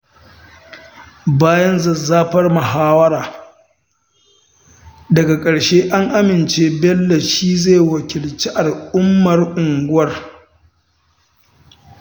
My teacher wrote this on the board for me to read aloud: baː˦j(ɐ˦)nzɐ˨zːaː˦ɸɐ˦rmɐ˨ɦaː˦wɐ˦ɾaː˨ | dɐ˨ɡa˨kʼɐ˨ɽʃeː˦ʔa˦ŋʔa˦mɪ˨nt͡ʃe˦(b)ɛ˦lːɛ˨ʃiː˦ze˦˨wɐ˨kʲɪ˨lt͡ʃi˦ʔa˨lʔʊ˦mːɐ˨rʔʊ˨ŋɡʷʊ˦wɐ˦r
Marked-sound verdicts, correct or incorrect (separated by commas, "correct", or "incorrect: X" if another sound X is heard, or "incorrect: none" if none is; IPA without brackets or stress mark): correct, correct